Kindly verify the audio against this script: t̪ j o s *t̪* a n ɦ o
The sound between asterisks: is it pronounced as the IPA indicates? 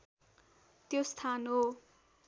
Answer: no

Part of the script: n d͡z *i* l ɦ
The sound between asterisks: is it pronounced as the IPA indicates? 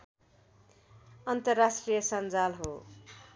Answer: no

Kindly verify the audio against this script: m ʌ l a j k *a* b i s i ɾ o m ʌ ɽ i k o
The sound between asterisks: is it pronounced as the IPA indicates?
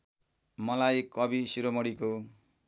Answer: no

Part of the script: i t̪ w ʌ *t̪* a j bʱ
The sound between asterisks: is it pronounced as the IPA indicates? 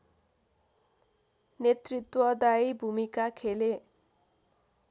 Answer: no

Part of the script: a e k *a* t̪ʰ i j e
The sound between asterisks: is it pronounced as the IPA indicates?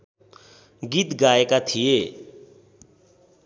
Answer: yes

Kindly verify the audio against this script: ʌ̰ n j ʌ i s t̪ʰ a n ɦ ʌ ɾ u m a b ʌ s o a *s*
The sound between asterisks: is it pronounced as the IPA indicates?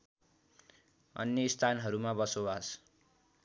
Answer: yes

